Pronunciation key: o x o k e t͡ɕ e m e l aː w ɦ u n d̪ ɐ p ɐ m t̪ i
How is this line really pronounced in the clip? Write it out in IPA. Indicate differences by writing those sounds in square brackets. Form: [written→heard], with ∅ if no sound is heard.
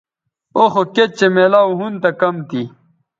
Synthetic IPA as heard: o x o k e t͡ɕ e m e l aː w ɦ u n [d̪→t̪] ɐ [p→k] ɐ m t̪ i

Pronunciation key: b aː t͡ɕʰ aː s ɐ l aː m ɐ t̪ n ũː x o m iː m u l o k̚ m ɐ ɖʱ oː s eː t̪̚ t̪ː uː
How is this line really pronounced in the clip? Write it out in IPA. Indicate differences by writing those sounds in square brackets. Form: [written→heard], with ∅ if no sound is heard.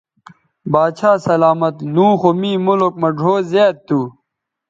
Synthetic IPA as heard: b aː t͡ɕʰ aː s ɐ l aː m ɐ t̪ n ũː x o m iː m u l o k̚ m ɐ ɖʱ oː [s→z] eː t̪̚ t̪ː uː

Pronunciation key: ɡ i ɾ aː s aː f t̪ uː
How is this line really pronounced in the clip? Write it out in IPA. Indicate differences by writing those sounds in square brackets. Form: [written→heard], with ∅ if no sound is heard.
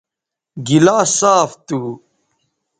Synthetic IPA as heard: ɡ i [ɾ→l] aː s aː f t̪ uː

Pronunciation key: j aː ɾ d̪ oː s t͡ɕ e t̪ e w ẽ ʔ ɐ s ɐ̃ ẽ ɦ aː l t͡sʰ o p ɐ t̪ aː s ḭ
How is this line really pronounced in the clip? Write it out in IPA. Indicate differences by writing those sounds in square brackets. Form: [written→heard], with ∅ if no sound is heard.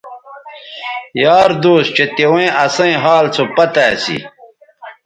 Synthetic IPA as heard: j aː ɾ d̪ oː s t͡ɕ e t̪ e w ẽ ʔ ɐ s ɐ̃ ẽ ɦ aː l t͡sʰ o p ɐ t̪ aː s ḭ

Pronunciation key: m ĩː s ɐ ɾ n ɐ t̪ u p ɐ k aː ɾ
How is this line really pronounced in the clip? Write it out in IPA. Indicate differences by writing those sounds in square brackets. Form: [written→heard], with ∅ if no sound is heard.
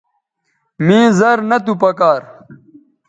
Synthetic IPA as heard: m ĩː [s→z] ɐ ɾ n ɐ t̪ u p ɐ k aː ɾ

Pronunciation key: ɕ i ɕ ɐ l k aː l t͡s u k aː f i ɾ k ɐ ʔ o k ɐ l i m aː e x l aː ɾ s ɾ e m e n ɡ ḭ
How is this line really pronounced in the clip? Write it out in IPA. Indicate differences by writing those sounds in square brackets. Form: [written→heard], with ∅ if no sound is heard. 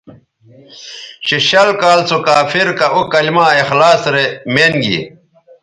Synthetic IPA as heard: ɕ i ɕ ɐ l k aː l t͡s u k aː f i ɾ k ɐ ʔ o k ɐ l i m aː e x l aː [ɾ→∅] s ɾ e m e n ɡ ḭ

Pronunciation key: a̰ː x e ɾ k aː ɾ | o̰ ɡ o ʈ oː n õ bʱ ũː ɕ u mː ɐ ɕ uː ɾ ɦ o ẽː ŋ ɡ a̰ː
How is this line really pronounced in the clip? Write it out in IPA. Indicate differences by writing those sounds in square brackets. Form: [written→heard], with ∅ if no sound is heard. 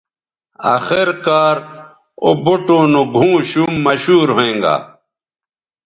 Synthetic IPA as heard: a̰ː x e ɾ k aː ɾ | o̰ [ɡ→b] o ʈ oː n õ [bʱ→ɡʱ] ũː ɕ u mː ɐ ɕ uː ɾ ɦ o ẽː ŋ ɡ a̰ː

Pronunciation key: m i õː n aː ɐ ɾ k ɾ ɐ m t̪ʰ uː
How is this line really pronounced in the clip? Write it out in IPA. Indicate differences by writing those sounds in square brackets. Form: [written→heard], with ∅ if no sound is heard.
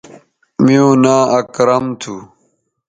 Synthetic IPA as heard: m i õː n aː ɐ [ɾ→∅] k ɾ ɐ m t̪ʰ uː

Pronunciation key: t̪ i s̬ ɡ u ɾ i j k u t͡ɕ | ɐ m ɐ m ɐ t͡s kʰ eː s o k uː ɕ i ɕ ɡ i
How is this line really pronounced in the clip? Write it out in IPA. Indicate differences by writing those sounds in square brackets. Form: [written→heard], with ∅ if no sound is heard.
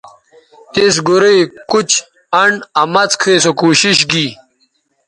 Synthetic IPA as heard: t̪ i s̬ ɡ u ɾ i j k u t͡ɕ | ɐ [m→ɳ] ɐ m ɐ t͡s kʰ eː s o k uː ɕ i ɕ ɡ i

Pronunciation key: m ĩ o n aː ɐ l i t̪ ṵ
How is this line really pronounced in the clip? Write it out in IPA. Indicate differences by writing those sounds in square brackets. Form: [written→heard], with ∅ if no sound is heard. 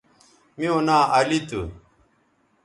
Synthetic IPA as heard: m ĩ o n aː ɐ l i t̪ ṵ

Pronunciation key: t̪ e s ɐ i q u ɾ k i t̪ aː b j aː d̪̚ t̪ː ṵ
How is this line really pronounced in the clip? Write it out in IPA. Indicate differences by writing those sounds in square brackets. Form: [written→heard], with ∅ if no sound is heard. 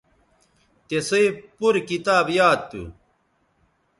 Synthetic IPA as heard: t̪ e s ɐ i [q→p] u ɾ k i t̪ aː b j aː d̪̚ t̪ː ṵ

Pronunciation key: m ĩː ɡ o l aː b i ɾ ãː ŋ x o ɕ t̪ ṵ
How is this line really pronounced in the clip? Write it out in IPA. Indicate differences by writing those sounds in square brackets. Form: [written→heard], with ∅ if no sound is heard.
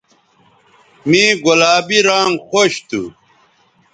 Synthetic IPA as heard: m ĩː ɡ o l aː b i ɾ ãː ŋ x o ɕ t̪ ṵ

